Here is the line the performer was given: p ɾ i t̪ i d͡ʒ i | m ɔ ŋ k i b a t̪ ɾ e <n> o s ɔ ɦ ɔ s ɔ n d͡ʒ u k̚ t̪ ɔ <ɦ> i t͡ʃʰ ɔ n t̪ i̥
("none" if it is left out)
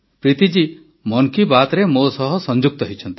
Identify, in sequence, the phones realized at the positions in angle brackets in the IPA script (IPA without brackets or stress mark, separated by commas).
m, ɦ